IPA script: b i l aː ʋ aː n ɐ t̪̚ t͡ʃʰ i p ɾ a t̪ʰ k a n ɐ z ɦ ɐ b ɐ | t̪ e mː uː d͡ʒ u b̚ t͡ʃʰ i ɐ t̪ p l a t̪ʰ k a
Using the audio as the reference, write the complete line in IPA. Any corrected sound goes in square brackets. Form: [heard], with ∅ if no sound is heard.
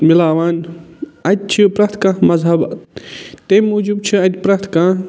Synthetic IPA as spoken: [m] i l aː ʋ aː n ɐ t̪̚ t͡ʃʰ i p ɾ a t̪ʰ k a [m] ɐ z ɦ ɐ b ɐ | t̪ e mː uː d͡ʒ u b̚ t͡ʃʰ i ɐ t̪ p [ɾ] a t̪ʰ k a